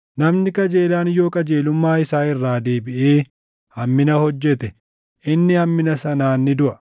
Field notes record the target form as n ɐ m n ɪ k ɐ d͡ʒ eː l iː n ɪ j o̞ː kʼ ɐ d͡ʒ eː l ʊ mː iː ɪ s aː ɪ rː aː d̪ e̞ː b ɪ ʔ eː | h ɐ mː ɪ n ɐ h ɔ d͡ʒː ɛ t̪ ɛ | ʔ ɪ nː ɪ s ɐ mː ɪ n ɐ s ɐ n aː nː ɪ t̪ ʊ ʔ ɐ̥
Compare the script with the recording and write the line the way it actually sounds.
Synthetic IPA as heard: n ɐ m n ɪ k ɐ d͡ʒ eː l aː n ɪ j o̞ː kʼ ɐ d͡ʒ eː l ʊ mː aː ɪ s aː ɪ rː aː d̪ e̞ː b ɪ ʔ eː | h ɐ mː ɪ n ɐ h ɔ d͡ʒː ɛ t̪ ɛ | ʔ ɪ nː ɪ h ɐ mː ɪ n ɐ s ɐ n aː nː ɪ d̪ ʊ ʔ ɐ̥

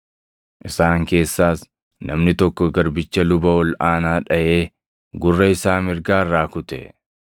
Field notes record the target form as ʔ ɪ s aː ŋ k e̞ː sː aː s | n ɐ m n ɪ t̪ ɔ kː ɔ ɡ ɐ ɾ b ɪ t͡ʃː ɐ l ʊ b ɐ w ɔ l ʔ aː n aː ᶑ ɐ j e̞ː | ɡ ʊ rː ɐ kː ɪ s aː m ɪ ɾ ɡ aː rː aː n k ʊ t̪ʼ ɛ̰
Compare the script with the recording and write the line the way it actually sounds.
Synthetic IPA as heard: ʔ ɪ s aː ŋ k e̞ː sː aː s | n ɐ m n ɪ t̪ ɔ kː ɔ ɡ ɐ ɾ b ɪ t͡ʃː ɐ l ʊ b ɐ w ɔ l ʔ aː n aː ᶑ ɐ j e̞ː | ɡ ʊ rː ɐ ɪ s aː m ɪ ɾ ɡ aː rː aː k ʊ t̪ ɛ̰

